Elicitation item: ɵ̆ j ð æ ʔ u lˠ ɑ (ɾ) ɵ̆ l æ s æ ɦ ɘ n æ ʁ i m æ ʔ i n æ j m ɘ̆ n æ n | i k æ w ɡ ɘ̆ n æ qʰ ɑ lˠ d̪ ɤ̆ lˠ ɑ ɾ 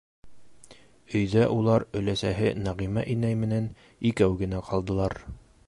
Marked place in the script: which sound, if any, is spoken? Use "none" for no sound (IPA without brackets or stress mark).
ɾ